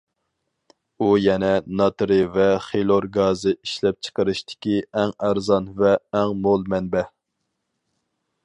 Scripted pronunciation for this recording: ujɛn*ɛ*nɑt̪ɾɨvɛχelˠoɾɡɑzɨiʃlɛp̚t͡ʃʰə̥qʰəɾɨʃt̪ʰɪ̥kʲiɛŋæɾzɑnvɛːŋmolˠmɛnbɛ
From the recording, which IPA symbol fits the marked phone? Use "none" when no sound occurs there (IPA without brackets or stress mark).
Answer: ɛ